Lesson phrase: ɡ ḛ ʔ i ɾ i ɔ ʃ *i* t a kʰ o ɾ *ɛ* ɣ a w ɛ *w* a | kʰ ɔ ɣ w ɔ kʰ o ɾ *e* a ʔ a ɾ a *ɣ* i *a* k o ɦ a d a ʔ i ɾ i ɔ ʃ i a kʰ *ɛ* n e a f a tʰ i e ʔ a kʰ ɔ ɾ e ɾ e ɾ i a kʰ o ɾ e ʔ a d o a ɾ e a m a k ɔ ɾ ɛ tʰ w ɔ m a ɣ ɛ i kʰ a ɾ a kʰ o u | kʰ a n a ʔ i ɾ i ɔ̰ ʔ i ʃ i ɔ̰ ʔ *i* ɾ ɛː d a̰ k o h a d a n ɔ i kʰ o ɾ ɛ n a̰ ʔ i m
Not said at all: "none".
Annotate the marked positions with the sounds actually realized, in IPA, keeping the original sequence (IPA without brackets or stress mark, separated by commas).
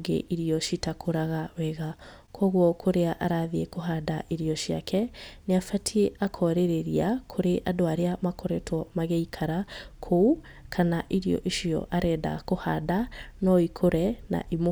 i, a, ɣ, e, ð, e, ɛ, a